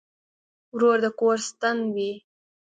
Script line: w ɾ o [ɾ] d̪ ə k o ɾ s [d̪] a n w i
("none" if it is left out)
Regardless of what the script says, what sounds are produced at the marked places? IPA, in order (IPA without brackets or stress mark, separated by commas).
ɾ, t̪